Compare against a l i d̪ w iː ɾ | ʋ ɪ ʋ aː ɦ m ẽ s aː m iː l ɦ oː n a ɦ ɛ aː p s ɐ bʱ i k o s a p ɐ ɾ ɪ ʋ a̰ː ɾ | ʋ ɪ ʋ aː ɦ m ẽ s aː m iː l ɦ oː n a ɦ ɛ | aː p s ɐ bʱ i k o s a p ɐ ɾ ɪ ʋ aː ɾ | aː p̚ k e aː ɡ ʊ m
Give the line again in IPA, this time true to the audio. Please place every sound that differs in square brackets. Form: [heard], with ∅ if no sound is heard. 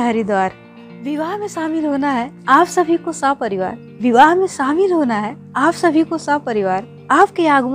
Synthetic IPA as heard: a [ɾ] i d̪ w [aː] ɾ | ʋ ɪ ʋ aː ɦ m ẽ s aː m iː l ɦ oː n a ɦ ɛ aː p s ɐ bʱ i k o s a p ɐ ɾ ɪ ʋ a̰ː ɾ | ʋ ɪ ʋ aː ɦ m ẽ s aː m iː l ɦ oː n a ɦ ɛ | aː p s ɐ bʱ i k o s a p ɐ ɾ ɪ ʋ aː ɾ | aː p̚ k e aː ɡ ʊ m